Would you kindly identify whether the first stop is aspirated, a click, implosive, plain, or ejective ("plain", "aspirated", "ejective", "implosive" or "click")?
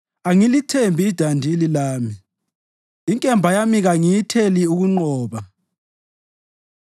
aspirated